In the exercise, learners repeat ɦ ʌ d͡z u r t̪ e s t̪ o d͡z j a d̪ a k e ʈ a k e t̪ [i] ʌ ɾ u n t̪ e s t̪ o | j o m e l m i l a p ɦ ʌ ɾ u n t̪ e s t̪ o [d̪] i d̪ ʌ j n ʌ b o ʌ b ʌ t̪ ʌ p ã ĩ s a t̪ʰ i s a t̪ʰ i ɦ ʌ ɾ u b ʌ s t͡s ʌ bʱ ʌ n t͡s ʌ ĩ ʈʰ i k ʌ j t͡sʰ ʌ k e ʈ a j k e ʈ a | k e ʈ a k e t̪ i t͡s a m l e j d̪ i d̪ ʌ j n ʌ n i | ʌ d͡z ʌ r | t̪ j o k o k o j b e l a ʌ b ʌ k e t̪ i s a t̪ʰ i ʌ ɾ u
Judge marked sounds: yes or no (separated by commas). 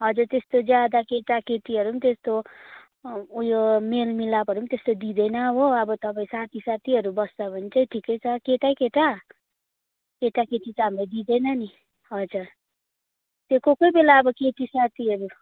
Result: yes, yes